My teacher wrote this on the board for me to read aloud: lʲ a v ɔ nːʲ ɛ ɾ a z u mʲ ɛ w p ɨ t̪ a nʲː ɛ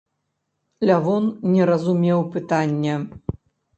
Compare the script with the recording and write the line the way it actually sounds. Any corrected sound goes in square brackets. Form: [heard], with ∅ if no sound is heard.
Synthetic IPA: lʲ a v ɔ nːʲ ɛ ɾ [ɐ] z u mʲ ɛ w p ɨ t̪ a nʲː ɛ